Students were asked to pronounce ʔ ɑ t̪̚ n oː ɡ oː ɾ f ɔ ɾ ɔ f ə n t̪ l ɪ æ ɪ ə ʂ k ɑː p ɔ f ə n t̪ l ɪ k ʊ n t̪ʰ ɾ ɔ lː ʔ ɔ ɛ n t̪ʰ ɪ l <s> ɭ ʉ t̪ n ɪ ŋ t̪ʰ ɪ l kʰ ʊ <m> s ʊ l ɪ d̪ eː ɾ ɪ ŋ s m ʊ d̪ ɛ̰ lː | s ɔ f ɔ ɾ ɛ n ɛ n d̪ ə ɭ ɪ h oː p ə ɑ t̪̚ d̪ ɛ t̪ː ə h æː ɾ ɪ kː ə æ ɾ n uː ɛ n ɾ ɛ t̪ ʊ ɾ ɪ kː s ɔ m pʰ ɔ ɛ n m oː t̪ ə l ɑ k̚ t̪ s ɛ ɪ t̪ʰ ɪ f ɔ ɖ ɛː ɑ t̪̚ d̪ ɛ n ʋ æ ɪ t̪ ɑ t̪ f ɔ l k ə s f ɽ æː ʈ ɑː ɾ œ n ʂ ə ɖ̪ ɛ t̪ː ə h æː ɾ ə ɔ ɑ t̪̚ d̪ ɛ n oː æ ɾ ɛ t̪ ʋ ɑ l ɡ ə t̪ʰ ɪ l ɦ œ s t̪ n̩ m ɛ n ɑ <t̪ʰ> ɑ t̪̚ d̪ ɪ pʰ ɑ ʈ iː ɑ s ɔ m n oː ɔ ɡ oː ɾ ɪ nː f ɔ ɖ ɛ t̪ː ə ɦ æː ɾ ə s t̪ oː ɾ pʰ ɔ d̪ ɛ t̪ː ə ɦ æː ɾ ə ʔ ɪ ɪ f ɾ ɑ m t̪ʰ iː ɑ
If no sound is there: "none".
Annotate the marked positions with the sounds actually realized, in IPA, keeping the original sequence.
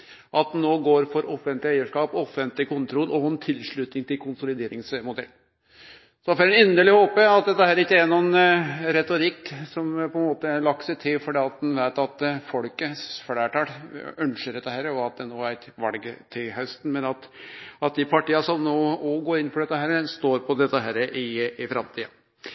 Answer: ʂ, n, t̪

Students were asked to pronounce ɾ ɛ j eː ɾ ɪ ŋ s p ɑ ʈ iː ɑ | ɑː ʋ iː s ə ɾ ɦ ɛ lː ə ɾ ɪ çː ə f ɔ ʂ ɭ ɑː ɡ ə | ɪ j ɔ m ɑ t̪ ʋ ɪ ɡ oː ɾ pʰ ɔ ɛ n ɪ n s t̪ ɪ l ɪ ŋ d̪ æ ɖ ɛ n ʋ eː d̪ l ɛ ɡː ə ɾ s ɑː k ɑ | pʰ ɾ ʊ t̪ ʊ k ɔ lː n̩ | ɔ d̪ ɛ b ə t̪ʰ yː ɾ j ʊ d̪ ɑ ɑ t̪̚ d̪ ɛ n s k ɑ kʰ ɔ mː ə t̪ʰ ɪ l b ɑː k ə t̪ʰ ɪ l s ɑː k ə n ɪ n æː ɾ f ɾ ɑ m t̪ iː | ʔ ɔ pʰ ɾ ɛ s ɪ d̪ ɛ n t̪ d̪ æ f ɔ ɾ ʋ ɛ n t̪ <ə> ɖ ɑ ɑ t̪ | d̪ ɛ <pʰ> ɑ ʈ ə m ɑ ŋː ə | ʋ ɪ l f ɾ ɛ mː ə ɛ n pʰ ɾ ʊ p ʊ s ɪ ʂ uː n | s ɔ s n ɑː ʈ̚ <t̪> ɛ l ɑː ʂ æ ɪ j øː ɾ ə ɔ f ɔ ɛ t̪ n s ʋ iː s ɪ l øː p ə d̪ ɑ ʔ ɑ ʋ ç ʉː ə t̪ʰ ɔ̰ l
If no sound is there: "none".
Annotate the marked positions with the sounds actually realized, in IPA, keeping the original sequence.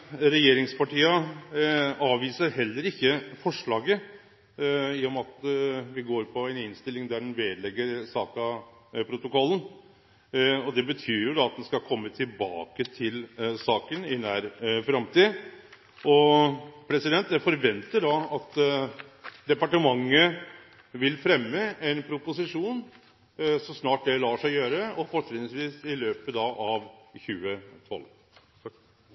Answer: ə, p, d̪

